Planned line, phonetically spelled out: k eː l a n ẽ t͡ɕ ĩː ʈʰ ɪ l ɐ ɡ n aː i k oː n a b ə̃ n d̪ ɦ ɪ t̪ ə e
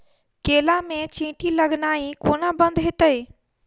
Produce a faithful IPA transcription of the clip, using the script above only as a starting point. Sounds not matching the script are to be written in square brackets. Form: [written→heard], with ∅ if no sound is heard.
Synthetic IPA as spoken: k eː l a [n→m] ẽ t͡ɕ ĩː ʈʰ [ɪ→i] l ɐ ɡ n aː i k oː n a b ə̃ n d̪ ɦ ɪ t̪ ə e